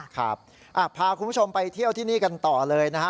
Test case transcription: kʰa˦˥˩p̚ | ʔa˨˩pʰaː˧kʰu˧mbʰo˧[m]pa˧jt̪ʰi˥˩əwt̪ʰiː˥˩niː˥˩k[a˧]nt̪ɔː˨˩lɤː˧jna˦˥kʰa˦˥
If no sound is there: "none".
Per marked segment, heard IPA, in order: m, a˧

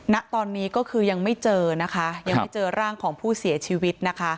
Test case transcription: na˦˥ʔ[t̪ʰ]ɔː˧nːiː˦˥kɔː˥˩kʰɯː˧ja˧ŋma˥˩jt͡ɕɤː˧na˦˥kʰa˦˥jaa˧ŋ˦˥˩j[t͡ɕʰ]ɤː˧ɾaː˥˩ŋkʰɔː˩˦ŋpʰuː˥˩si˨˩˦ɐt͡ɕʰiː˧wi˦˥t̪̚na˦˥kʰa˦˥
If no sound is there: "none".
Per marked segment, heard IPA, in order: t̪, t͡ɕ

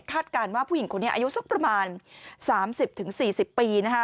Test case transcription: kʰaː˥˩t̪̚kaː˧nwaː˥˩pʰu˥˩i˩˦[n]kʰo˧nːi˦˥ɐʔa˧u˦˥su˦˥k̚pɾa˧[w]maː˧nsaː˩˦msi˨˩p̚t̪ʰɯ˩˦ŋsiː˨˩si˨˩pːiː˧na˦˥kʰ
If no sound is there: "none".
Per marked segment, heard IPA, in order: ŋ, none

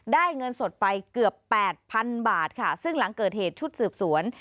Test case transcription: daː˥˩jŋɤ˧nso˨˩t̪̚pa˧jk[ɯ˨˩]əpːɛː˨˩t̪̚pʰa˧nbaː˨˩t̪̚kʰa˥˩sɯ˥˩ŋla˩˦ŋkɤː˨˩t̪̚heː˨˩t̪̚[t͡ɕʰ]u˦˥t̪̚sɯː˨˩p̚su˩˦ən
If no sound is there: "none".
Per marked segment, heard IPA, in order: ɯ˨˩, t͡ɕʰ

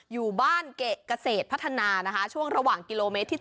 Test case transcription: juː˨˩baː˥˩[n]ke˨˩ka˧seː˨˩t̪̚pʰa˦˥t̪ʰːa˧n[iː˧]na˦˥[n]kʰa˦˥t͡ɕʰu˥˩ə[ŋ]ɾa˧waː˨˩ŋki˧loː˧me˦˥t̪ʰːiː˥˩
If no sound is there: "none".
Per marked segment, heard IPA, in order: n, aː˧, none, ŋ

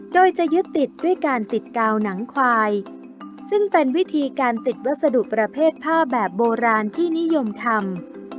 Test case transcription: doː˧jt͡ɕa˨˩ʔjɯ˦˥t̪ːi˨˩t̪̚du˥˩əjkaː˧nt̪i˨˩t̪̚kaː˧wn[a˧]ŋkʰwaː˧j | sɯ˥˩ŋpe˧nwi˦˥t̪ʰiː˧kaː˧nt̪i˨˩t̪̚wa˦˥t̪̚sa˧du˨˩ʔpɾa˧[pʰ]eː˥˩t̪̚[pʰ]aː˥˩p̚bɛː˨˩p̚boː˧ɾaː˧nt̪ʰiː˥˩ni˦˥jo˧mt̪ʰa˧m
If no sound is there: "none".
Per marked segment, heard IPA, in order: a˩˦, pʰ, pʰ

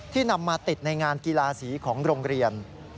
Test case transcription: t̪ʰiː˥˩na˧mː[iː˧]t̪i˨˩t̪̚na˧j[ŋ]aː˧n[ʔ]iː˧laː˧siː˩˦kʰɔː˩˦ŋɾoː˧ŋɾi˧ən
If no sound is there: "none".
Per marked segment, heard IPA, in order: aː˧, ŋ, k

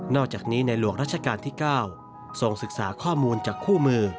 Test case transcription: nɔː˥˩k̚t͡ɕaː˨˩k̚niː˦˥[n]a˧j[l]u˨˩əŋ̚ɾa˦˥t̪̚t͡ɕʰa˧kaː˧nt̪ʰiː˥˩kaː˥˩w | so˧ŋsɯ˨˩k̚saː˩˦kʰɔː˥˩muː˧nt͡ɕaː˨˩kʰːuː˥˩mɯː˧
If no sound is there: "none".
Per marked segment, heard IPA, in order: n, l

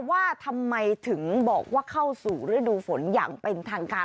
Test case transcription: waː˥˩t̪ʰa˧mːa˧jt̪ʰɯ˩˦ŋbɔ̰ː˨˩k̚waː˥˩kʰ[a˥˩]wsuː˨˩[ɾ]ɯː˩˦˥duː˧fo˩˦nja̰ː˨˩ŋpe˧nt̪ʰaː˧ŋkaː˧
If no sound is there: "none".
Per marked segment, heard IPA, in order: a˥˩, ɾ

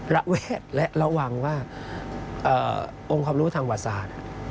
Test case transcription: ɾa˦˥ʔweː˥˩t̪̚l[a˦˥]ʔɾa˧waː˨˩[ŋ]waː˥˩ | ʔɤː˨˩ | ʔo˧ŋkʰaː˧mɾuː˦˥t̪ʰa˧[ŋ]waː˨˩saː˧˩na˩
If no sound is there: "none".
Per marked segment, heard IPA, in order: ɛ˦˥, ŋ, ŋ

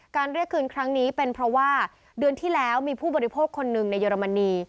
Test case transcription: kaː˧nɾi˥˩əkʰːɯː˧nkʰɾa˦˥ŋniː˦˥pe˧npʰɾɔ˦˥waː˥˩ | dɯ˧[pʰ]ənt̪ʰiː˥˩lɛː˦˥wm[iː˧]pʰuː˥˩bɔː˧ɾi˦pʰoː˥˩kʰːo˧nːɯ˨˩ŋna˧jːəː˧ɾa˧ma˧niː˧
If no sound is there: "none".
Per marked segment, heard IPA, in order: none, iː˧

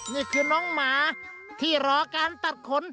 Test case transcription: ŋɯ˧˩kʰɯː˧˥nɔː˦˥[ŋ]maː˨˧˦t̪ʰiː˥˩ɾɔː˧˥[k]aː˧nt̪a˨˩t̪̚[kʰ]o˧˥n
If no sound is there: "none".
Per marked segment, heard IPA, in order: ŋ, k, kʰ

